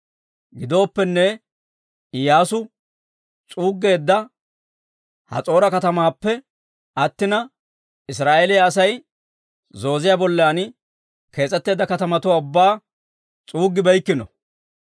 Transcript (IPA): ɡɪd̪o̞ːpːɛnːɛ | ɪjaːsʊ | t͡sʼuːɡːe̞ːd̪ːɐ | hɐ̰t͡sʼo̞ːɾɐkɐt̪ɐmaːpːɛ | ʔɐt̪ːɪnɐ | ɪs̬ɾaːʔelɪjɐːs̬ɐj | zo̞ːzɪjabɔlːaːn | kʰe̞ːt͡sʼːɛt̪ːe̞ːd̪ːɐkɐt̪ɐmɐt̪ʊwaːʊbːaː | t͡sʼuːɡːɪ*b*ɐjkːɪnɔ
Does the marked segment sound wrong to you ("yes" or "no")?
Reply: no